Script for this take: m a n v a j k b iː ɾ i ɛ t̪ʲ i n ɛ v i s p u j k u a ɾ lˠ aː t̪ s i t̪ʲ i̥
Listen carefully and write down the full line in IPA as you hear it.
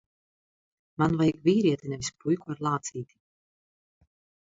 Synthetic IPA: m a n v a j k v iː ɾ i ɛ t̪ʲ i n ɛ v i s p u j k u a ɾ lˠ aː t̪ s iː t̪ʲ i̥